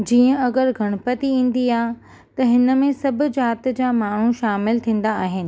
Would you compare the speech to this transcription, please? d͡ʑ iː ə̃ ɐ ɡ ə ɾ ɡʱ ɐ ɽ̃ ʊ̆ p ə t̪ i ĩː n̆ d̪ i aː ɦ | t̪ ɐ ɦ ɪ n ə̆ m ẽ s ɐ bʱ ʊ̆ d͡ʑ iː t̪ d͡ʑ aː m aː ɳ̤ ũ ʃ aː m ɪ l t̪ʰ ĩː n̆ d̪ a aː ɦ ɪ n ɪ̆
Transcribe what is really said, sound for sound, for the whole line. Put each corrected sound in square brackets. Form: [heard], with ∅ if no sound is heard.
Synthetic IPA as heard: d͡ʑ iː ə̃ ɐ ɡ ə ɾ ɡʱ ɐ ɽ̃ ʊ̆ p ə t̪ i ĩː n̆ d̪ i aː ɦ | t̪ ɐ ɦ ɪ n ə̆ m ẽ s ɐ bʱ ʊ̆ d͡ʑ [aː] t̪ d͡ʑ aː m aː ɳ̤ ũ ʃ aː m ɪ l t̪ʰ ĩː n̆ d̪ a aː ɦ ɪ n ɪ̆